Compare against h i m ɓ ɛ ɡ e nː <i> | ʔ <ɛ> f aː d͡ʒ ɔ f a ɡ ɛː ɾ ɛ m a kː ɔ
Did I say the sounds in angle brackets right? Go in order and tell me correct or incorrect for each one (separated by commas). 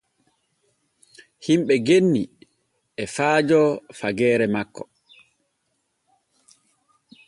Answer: correct, correct